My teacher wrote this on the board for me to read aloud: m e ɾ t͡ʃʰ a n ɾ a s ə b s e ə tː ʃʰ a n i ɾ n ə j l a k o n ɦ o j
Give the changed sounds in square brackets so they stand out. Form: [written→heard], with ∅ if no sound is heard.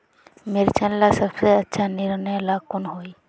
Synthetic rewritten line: m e ɾ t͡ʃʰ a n [ɾ→l] a s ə b s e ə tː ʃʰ a n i ɾ n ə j l a k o n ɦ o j